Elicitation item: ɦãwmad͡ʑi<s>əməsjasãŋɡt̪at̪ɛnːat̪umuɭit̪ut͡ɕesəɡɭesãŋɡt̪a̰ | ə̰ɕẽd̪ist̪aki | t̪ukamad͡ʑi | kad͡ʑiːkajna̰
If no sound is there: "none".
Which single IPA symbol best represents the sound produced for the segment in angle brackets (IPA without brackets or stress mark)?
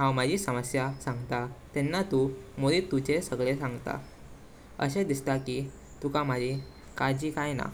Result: s